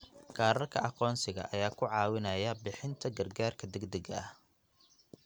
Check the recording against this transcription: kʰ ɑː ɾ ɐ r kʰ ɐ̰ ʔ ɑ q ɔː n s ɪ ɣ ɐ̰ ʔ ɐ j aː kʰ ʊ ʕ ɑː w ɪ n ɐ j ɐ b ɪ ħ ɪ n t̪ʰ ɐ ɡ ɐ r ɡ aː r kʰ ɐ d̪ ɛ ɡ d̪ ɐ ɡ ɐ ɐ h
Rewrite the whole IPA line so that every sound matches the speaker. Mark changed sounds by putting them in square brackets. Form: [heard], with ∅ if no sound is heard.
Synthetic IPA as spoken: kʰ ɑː ɾ ɐ r kʰ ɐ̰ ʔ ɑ q ɔː n s ɪ ɣ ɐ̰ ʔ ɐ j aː kʰ ʊ ʕ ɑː w ɪ n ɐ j ɐ b ɪ ħ ɪ n t̪ʰ ɐ ɡ ɐ r ɡ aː r kʰ ɐ d̪ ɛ ɡ d̪ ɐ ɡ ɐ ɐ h